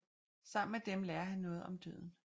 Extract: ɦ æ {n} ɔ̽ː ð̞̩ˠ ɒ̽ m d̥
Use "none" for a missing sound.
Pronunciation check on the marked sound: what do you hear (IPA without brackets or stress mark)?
nː